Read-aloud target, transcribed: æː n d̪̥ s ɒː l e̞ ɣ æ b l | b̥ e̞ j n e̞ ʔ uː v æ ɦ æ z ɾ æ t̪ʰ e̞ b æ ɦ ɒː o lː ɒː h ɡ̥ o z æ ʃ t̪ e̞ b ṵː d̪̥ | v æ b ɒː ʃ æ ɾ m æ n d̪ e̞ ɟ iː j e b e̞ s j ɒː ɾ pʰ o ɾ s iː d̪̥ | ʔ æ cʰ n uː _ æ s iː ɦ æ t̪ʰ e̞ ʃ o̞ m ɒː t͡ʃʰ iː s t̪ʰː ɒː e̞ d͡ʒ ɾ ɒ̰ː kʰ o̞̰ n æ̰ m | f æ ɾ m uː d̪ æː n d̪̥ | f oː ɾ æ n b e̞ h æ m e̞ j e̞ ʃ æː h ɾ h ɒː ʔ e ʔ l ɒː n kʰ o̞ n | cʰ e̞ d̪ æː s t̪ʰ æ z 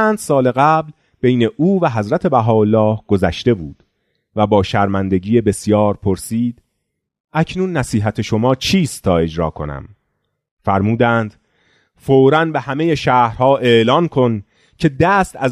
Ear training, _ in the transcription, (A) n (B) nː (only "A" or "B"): B